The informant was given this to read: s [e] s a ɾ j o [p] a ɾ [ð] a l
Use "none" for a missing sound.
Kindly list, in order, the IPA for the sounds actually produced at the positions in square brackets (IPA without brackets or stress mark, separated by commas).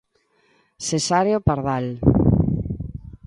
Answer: e, p, ð